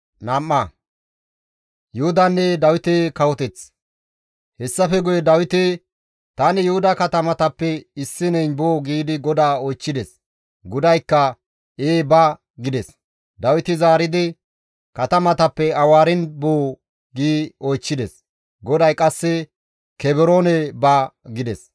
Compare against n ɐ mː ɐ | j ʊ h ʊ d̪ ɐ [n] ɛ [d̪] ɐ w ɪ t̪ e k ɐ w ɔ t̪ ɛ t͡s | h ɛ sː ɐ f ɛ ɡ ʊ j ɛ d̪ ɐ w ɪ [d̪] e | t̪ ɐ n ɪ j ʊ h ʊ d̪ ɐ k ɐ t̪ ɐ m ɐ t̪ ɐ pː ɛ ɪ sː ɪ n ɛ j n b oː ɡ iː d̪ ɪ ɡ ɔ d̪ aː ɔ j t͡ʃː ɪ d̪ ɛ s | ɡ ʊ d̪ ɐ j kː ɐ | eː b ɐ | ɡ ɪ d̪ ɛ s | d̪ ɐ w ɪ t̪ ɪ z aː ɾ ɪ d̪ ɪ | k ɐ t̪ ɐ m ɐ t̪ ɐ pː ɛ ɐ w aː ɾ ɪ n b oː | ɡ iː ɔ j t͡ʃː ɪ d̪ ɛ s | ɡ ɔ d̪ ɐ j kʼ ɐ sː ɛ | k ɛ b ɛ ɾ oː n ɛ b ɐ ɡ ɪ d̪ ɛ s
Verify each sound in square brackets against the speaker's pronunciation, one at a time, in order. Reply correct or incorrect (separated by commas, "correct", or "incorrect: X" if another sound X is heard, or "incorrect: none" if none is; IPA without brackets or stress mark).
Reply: incorrect: nː, correct, incorrect: t̪